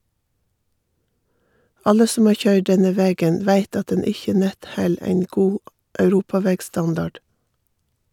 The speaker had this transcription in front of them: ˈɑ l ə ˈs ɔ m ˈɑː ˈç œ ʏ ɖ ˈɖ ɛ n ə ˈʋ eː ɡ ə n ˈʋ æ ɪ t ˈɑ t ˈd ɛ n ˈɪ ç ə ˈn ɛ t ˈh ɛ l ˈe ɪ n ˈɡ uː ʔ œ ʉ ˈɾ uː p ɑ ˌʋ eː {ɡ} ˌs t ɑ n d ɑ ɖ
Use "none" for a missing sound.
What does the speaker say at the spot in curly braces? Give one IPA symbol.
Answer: ɡ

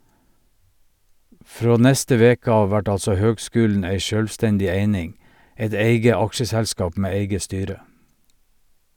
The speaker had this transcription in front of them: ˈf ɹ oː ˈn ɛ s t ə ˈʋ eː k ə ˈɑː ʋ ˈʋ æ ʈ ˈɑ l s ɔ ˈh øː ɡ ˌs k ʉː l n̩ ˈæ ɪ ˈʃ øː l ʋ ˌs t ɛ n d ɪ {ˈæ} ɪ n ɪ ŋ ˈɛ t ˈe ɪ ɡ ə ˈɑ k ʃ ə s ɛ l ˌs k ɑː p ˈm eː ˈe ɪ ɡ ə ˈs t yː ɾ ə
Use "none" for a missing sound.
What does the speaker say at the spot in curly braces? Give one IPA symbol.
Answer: e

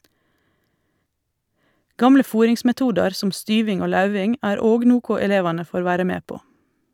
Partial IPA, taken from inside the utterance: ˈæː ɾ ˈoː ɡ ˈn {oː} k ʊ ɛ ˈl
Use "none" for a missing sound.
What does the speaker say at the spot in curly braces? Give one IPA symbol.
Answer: uː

